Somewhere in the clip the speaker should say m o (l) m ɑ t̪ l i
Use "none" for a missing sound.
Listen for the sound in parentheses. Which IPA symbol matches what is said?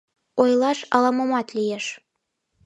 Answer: none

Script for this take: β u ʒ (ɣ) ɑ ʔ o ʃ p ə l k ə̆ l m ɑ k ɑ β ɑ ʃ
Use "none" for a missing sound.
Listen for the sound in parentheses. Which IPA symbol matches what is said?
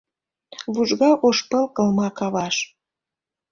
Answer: ɣ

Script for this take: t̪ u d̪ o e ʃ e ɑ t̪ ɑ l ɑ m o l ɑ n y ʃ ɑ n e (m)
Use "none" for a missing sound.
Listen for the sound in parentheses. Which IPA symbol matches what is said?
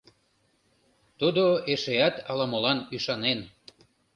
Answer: n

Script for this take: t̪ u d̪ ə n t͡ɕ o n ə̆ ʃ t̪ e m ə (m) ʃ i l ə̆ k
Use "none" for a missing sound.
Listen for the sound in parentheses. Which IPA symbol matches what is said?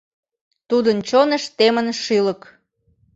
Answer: n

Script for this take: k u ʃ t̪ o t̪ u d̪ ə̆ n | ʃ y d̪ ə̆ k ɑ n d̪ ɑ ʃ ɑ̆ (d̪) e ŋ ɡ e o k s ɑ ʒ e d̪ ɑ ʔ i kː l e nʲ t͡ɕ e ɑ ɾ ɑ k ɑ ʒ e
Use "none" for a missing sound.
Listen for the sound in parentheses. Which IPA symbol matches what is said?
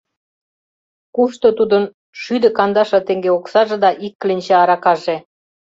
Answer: t̪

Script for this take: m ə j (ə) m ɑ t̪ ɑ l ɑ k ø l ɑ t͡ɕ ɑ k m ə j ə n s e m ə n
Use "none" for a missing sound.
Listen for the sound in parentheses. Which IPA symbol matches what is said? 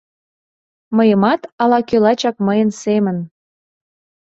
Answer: ə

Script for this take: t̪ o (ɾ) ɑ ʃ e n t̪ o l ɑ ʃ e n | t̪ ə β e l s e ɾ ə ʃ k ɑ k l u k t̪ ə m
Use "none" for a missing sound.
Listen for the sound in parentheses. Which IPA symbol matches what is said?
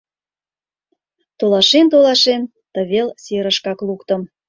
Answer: l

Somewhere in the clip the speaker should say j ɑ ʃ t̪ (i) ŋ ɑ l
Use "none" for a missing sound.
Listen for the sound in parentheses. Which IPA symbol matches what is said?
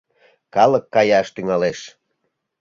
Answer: y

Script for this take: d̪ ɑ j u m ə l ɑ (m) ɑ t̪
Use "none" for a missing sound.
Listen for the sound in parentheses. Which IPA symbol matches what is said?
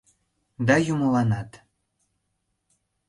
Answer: n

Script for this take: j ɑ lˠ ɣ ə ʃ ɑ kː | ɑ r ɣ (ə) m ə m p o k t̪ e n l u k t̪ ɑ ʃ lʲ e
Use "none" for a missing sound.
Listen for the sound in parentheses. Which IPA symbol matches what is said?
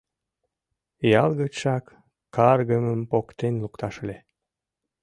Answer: ə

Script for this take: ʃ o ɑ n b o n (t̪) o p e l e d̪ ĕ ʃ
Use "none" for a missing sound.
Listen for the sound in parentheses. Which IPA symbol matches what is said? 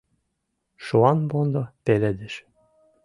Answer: d̪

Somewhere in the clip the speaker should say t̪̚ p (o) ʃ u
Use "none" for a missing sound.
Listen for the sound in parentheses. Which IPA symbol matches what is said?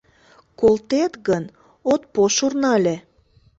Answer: o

